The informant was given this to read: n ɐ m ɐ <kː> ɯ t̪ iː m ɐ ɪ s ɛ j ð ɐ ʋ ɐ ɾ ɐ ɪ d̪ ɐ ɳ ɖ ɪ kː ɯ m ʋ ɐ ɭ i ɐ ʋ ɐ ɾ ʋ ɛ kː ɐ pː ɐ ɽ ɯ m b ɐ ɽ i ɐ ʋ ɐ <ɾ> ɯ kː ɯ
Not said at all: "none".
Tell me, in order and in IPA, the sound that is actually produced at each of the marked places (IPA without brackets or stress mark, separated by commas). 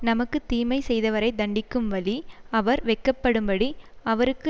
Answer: kː, ɾ